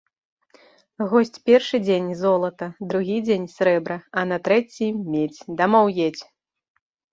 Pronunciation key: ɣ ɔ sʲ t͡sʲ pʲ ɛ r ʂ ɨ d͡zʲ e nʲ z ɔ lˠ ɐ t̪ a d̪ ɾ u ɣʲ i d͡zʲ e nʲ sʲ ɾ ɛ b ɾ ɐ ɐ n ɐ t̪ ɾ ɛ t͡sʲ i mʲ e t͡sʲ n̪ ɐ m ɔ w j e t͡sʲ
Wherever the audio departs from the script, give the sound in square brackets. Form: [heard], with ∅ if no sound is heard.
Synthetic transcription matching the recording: ɣ ɔ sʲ t͡sʲ pʲ ɛ r ʂ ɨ d͡zʲ e nʲ z ɔ lˠ ɐ t̪ [ɐ] d̪ ɾ u ɣʲ i d͡zʲ e nʲ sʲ ɾ ɛ b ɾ ɐ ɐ n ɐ t̪ ɾ ɛ t͡sʲ i mʲ e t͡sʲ [d̪] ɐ m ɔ w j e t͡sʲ